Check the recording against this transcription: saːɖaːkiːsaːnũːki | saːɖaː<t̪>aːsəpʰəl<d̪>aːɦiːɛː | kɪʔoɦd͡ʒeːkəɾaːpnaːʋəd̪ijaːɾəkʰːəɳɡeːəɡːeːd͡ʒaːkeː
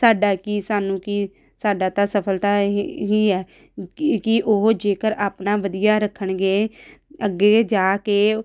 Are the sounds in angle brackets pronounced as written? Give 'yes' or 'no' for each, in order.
yes, no

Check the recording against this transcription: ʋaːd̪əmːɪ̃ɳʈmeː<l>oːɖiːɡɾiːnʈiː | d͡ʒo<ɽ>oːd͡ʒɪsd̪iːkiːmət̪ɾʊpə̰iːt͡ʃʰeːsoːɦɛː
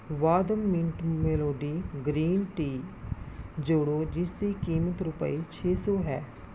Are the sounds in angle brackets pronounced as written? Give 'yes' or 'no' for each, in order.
yes, yes

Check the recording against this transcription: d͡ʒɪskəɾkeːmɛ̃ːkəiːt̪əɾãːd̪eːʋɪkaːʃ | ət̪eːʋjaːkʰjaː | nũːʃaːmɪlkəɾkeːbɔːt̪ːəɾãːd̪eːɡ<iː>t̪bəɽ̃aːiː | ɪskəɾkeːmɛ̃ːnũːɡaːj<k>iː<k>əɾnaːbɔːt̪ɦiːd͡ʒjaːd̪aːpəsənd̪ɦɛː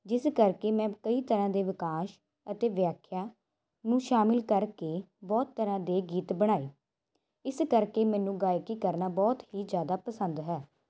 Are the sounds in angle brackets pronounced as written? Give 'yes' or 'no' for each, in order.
yes, yes, yes

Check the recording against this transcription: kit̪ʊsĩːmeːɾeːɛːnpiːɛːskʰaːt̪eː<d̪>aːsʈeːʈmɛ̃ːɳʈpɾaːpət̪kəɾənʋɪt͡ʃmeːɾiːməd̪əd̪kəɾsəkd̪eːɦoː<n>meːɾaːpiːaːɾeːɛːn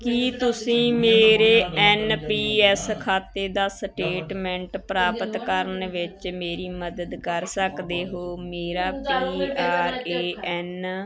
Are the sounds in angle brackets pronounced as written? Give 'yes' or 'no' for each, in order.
yes, no

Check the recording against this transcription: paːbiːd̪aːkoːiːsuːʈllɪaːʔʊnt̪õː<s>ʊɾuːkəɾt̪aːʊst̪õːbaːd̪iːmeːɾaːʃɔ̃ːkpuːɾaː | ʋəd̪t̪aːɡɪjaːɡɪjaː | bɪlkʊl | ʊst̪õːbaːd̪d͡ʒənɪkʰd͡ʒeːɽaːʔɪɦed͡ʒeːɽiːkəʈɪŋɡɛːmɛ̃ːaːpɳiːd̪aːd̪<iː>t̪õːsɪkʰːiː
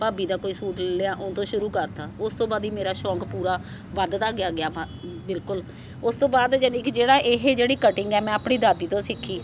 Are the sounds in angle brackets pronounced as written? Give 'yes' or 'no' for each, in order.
no, yes

